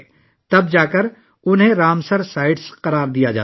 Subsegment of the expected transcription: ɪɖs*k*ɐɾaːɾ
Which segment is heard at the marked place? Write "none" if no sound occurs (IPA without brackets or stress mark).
q